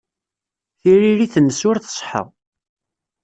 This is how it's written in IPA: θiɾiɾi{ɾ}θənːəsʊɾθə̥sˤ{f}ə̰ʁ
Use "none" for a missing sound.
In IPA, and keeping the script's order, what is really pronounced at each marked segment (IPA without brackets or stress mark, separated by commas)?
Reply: none, ħ